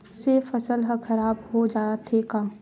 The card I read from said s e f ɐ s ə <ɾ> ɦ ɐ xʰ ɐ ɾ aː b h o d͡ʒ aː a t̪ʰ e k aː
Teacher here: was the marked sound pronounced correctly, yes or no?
no